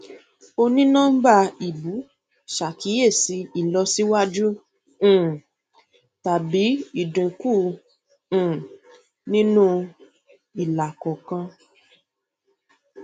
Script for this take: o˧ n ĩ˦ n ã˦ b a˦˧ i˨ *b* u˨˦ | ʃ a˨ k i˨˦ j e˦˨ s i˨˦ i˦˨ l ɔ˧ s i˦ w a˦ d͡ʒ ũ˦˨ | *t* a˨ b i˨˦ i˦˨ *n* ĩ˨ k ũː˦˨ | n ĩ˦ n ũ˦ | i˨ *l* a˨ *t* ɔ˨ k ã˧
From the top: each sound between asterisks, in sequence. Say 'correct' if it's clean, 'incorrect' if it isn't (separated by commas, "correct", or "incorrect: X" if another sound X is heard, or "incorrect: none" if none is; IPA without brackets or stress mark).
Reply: correct, correct, incorrect: d, correct, incorrect: k